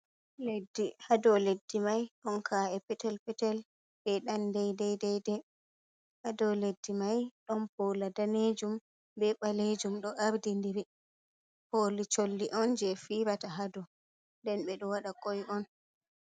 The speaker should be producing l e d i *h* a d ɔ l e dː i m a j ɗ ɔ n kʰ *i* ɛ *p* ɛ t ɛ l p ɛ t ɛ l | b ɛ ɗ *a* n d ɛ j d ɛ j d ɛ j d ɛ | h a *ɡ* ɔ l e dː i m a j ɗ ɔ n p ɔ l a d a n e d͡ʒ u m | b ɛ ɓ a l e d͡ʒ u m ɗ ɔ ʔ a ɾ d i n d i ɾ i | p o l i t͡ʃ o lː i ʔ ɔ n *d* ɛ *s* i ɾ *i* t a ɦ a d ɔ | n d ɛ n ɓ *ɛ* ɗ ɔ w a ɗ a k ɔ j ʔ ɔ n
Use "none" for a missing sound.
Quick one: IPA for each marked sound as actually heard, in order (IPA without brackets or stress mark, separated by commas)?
h, a, p, a, d, d͡ʒ, f, a, ɛ